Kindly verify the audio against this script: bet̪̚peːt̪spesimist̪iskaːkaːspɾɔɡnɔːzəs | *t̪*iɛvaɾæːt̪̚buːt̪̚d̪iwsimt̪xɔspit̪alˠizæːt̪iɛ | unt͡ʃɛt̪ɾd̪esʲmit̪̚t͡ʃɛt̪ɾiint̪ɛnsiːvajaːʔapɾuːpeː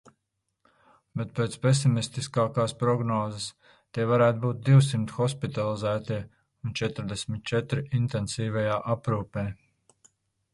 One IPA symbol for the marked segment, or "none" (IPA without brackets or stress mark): t̪